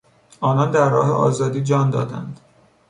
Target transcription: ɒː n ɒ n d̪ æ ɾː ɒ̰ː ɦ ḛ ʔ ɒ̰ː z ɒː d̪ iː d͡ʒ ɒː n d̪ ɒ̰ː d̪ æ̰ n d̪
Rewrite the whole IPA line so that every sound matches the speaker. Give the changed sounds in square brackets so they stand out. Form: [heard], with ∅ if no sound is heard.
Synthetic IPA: ɒː n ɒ n d̪ æ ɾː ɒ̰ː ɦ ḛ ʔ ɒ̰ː z ɒː d̪ iː d͡ʒ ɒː n d̪ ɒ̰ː d̪ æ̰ n d̪